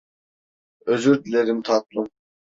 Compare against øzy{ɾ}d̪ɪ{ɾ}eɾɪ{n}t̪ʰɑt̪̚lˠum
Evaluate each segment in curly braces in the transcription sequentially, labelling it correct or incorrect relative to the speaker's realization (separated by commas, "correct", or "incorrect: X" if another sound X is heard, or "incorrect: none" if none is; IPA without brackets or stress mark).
correct, incorrect: l, incorrect: m